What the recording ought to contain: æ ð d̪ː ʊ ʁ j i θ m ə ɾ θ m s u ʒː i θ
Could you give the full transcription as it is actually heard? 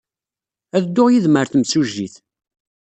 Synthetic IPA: æ ð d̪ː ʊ ʁ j i ð m ə ɾ θ m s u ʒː i θ